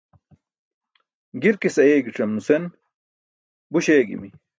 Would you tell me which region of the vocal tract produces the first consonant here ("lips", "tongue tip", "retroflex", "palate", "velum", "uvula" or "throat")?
velum